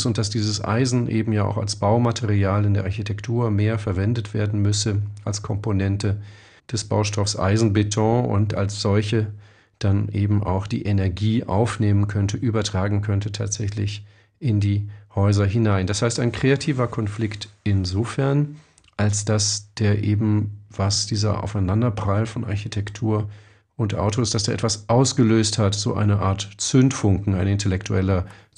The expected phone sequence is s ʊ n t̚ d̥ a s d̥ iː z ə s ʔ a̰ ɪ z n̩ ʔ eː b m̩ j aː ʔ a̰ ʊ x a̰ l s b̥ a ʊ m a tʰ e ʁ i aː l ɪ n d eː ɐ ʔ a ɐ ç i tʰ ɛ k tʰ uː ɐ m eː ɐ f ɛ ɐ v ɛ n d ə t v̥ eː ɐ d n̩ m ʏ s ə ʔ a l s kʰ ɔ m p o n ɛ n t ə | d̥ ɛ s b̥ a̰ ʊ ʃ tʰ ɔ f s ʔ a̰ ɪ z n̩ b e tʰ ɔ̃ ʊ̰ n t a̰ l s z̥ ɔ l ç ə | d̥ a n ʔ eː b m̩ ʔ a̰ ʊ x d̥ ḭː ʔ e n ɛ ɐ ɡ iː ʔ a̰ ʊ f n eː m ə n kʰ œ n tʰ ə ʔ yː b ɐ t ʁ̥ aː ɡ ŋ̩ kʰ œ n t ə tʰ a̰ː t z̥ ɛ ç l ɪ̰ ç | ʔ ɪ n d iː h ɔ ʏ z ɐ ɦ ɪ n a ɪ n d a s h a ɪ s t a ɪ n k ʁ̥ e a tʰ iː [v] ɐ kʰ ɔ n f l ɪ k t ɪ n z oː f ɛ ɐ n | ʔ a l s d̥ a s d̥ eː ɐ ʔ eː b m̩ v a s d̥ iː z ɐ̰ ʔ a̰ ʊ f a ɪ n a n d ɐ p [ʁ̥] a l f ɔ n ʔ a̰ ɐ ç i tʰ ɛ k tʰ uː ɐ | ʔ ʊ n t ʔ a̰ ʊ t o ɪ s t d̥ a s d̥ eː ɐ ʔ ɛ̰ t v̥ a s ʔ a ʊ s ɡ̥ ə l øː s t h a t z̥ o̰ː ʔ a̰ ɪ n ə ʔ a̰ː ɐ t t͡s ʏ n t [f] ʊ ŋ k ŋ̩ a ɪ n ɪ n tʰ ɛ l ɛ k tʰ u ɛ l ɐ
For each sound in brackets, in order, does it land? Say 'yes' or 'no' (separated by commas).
yes, yes, yes